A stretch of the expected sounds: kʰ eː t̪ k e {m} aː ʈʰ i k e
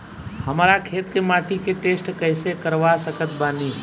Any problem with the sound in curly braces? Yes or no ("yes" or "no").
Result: no